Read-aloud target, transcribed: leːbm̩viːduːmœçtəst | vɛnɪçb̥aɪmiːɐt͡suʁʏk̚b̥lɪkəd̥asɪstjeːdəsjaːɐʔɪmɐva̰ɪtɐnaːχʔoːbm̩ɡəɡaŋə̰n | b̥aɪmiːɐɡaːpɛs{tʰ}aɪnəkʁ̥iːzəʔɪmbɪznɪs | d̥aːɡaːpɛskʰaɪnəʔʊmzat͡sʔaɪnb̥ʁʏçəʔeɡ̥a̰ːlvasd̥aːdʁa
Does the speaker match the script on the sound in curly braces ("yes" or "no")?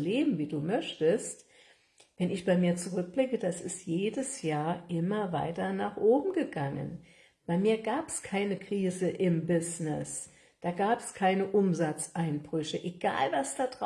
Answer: no